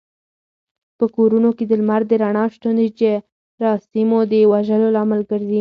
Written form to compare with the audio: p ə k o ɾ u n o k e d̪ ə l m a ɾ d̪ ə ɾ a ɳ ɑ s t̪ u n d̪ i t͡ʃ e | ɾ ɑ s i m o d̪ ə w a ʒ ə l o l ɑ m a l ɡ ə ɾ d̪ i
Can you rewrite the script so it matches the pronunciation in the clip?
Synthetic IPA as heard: p ə k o ɾ u n o k e d̪ ə l m a ɾ d̪ ə ɾ a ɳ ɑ ʃ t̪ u n d̪ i t͡ʃ e | ɾ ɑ s i m o d̪ ə w a ʒ ə l o l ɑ m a l ɡ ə ɾ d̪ i